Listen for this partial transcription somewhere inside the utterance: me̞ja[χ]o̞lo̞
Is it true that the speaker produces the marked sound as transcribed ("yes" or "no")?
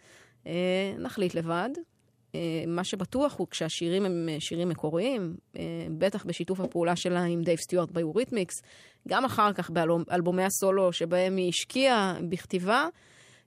no